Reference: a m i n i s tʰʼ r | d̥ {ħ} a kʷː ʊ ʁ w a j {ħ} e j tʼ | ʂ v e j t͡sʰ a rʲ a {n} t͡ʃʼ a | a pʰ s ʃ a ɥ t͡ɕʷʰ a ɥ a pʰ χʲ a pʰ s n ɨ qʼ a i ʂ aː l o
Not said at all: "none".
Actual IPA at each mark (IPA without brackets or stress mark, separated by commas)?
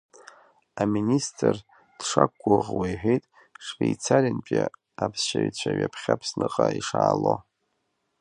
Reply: ʂ, ħ, n